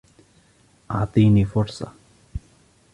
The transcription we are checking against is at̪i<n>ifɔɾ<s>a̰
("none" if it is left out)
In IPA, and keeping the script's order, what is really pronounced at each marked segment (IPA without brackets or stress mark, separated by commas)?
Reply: n, s